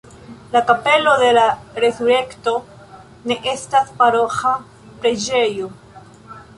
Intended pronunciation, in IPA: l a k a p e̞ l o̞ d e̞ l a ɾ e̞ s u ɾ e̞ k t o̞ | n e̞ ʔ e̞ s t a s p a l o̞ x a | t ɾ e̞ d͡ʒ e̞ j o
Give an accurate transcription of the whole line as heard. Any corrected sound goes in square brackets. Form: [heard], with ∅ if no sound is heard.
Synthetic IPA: l a k a p e̞ l o̞ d e̞ l a ɾ e̞ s u ɾ e̞ k t o̞ | n e̞ ʔ e̞ s t a s p a [ɾ] o̞ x a | [p] ɾ e̞ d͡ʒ e̞ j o

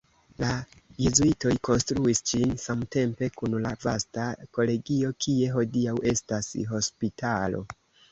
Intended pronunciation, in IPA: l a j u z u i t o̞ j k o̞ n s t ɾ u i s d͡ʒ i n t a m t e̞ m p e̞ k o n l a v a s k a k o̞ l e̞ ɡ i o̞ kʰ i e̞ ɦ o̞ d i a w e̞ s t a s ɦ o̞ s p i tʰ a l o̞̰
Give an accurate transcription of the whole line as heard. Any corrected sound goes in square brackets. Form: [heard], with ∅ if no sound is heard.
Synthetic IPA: l a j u z u i t o̞ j k o̞ n s t ɾ u i s d͡ʒ i n [s] a m t e̞ m p e̞ k [u] n l a v a s [t] a k o̞ l e̞ ɡ i o̞ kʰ i e̞ ɦ o̞ d i a w e̞ s t a s ɦ o̞ s p i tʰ a l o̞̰

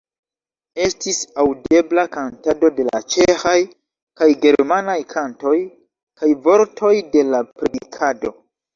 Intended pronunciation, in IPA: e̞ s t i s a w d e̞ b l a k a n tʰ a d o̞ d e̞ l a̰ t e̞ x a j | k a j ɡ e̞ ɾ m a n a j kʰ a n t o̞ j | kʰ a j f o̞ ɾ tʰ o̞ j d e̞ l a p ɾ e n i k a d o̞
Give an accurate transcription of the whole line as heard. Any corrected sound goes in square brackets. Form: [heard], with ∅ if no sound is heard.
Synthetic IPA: e̞ s t i s a w d e̞ b l a k a n [t] a d o̞ d e̞ l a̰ [t͡ʃ] e̞ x a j | k a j ɡ e̞ ɾ m a n a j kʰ a n t o̞ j | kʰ a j [v] o̞ ɾ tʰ o̞ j d e̞ l a p ɾ e [d] i [kʰ] a d o̞

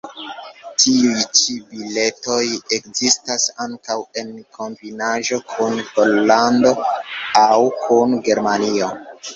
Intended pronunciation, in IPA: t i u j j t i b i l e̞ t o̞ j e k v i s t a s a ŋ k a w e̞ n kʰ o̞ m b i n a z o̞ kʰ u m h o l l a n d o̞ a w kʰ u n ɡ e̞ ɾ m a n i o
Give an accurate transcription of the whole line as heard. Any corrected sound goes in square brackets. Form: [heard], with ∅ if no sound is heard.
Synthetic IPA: t i u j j [t͡ʃ] i b i l e̞ t o̞ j e k [z] i s t a s a ŋ k a w e̞ n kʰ o̞ m b i n a [ʒ] o̞ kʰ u [n] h o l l a n d o̞ a w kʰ u n ɡ e̞ ɾ m a n i o

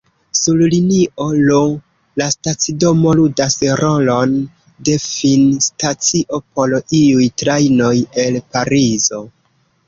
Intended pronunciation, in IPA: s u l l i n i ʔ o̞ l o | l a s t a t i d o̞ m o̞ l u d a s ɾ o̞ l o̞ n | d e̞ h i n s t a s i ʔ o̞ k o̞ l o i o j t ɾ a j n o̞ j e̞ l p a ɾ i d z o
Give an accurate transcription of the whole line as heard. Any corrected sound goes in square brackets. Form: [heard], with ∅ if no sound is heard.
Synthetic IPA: s u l l i n i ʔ o̞ l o | l a s t a [t͡s] i d o̞ m o̞ l u d a s ɾ o̞ l o̞ n | d e̞ [f] i n s t a [t͡s] i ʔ o̞ [p] o̞ l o i [u] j t ɾ a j n o̞ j e̞ l p a ɾ i [∅] z o

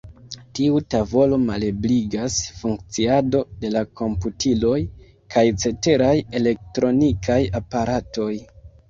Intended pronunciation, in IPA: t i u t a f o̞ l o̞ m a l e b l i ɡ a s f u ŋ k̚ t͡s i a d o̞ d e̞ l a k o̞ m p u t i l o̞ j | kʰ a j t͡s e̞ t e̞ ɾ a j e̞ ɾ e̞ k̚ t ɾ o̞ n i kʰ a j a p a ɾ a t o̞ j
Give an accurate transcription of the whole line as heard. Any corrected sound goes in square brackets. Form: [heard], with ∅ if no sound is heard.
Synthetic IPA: t i u t a [v] o̞ l o̞ m a l e b l i ɡ a s f u ŋ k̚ t͡s i a d o̞ d e̞ l a k o̞ m p u t i l o̞ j | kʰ a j t͡s e̞ t e̞ ɾ a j e̞ [l] e̞ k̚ t ɾ o̞ n i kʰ a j a p a ɾ a t o̞ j

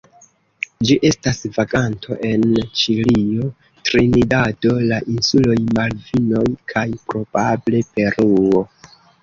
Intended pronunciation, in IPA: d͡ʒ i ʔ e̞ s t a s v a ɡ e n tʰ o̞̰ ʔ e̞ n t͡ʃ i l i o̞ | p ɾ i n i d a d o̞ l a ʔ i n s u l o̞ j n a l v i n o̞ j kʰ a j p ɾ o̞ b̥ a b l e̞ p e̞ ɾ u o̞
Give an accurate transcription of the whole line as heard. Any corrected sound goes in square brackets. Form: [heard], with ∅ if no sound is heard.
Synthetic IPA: d͡ʒ i ʔ e̞ s t a s v a ɡ [a] n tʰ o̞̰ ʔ e̞ n t͡ʃ i l i o̞ | [t] ɾ i n i d a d o̞ l a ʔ i n s u l o̞ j [m] a l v i n o̞ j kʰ a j p ɾ o̞ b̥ a b l e̞ p e̞ ɾ u o̞

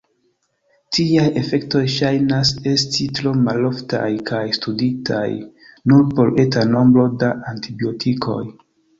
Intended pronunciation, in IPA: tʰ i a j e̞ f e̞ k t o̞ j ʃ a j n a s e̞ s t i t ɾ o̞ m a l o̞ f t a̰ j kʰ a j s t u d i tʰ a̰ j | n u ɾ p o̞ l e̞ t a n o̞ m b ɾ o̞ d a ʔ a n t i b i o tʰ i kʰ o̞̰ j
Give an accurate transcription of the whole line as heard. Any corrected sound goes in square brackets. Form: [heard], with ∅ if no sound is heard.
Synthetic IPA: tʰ i a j e̞ f e̞ k t o̞ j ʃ a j n a s e̞ s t i t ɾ o̞ m a l o̞ f t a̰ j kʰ a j s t u d i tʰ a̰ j | n u ɾ p o̞ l e̞ t a n o̞ m b ɾ o̞ d a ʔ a n t i b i o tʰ i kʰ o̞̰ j

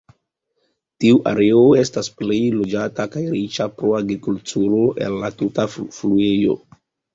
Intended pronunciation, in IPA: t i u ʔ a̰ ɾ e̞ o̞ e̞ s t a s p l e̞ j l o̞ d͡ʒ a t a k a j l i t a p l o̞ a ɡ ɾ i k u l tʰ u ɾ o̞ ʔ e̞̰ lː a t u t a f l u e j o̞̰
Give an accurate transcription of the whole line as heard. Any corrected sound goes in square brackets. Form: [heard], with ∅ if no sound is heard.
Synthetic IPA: t i u ʔ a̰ ɾ e̞ o̞ e̞ s t a s p l e̞ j l o̞ d͡ʒ a t a k a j [ɾ] i [t͡ʃ] a p [ɾ] o̞ a ɡ ɾ i k u l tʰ u ɾ o̞ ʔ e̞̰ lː a t u t a f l u e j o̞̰

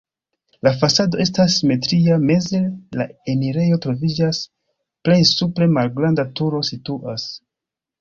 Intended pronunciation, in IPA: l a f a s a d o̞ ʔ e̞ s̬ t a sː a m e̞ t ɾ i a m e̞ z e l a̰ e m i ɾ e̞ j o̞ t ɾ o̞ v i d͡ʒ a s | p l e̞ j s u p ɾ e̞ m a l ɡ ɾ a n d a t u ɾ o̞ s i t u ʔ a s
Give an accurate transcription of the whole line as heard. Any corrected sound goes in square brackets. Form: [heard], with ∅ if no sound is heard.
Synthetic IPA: l a f a s a d o̞ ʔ e̞ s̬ t a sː [i] m e̞ t ɾ i a m e̞ z e l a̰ e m i ɾ e̞ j o̞ t ɾ o̞ v i d͡ʒ a s | p l e̞ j s u p ɾ e̞ m a l ɡ ɾ a n d a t u ɾ o̞ s i t u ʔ a s

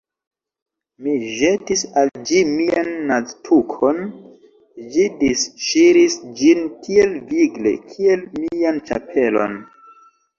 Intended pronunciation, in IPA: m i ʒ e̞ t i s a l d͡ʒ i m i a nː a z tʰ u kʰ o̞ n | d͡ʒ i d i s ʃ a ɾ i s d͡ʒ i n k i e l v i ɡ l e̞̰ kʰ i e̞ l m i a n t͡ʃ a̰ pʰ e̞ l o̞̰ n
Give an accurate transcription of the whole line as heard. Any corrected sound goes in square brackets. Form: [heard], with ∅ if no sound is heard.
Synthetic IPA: m i ʒ e̞ t i s a l d͡ʒ i m i a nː a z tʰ u kʰ o̞ n | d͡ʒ i d i s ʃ [i] ɾ i s d͡ʒ i n k i e l v i ɡ l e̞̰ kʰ i e̞ l m i a n t͡ʃ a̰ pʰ e̞ l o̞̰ n

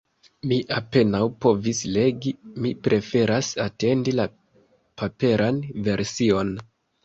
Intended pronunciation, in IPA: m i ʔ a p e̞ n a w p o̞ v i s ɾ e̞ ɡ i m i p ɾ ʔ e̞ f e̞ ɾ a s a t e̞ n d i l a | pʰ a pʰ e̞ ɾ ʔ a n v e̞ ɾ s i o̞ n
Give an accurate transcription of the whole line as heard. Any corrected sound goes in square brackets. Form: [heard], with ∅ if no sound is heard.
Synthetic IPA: m i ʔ a p e̞ n a w p o̞ v i s [l] e̞ ɡ i m i p ɾ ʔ e̞ f e̞ ɾ a s a t e̞ n d i l a | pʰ a [p] e̞ ɾ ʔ a n v e̞ ɾ s i o̞ n

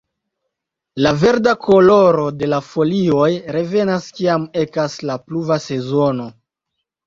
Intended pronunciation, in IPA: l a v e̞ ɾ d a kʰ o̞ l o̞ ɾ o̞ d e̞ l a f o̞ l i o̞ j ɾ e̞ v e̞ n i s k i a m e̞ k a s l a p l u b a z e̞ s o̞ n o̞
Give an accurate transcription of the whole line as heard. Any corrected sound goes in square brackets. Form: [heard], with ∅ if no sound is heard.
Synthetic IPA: l a v e̞ ɾ d a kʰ o̞ l o̞ ɾ o̞ d e̞ l a f o̞ l i o̞ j ɾ e̞ v e̞ n [a] s k i a m e̞ k a s l a p l u [v] a [s] e̞ [z] o̞ n o̞

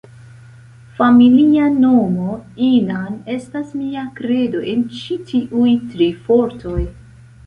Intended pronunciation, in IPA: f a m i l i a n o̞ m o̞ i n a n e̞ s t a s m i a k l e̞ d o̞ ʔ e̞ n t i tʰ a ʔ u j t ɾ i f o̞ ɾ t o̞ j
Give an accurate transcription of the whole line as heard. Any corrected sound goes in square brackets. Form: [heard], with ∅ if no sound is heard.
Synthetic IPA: f a m i l i a n o̞ m o̞ i n a n e̞ s t a s m i a k [ɾ] e̞ d o̞ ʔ e̞ n [t͡ʃ] i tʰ [i] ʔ u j t ɾ i f o̞ ɾ t o̞ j

